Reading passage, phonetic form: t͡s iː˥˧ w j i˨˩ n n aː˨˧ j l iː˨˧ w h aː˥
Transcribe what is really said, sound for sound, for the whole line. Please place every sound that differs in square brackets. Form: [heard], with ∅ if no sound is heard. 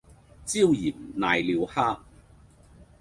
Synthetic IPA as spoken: t͡s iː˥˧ w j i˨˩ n n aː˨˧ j l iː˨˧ w h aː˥